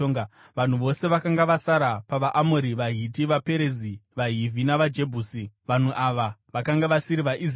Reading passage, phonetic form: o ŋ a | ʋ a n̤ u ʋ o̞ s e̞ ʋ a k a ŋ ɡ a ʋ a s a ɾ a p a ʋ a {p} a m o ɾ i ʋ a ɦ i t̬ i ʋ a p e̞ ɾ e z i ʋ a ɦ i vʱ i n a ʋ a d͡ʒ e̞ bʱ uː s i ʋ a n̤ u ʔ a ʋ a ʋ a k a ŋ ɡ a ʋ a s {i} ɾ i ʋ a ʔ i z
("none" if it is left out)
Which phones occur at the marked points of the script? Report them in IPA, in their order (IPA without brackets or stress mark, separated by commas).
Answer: ʔ, i